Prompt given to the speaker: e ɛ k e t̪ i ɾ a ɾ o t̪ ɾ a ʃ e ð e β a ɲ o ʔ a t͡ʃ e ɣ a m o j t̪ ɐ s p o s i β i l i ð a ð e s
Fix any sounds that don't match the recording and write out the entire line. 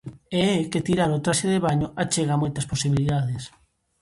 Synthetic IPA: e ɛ k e t̪ i ɾ a ɾ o t̪ ɾ a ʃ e ð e β a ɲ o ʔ a t͡ʃ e ɣ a m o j t̪ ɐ s p o s i β i l i ð a ð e s